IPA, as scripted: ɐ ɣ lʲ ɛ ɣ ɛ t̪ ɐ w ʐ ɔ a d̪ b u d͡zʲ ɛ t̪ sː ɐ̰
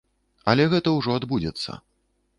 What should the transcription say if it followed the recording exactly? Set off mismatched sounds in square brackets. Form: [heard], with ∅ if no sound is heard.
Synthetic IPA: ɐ [∅] lʲ ɛ ɣ ɛ t̪ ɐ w ʐ ɔ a d̪ b u d͡zʲ ɛ t̪ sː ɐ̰